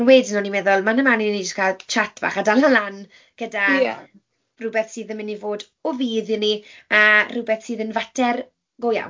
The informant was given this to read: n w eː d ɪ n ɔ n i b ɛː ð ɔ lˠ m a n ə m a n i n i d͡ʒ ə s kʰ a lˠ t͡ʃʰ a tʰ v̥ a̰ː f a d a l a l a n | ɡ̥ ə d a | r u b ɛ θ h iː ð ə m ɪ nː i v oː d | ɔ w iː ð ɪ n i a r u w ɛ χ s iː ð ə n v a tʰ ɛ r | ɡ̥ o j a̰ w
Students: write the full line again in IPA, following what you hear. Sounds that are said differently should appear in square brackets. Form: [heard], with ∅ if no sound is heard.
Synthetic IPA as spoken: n w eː d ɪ n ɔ n i [m] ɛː ð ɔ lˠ m a n ə m a n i n i d͡ʒ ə s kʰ a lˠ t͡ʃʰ a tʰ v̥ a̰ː [χ] a d a l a l a n | ɡ̥ ə d a | r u b ɛ θ [s] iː ð ə m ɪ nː i v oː d | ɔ [v] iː ð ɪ n i a r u [b] ɛ [θ] s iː ð ə n v a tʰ ɛ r | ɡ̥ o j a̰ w